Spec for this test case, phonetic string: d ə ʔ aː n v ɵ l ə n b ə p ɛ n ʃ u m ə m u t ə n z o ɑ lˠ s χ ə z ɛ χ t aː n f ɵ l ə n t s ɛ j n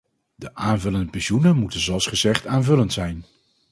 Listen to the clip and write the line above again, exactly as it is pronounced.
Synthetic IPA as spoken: d ə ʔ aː n v ɵ l ə n d ə p ɛ n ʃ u n ə m u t ə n z o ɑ lˠ s χ ə z ɛ χ t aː n v ɵ l ə n t s ɛ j n